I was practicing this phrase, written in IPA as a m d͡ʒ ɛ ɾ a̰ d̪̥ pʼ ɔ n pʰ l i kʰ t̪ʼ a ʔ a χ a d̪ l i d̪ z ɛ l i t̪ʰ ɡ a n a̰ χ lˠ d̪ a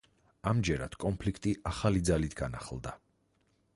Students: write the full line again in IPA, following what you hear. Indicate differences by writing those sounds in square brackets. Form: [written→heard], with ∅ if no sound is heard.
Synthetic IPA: a m d͡ʒ ɛ ɾ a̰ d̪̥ [pʼ→kʼ] ɔ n pʰ l i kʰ t̪ʼ [a→i] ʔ a χ a [d̪→∅] l i d̪ z [ɛ→a] l i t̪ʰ ɡ a n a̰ χ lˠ d̪ a